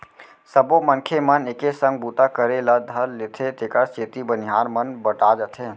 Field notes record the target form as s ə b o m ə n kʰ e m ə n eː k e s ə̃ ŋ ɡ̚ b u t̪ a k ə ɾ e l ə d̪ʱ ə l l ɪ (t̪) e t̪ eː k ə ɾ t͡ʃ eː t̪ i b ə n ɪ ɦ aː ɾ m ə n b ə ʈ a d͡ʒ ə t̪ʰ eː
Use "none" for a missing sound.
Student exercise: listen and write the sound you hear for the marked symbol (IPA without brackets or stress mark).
t̪ʰ